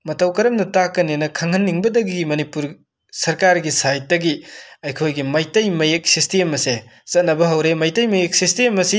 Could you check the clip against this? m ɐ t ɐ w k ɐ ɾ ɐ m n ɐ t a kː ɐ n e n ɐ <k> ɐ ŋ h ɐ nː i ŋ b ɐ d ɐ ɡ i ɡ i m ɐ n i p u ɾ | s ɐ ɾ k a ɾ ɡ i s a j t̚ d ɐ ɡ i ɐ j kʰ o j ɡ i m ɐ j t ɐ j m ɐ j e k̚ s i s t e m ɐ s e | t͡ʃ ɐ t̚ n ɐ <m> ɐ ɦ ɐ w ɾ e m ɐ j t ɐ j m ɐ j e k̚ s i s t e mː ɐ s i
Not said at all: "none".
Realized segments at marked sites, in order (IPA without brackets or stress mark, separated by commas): kʰ, b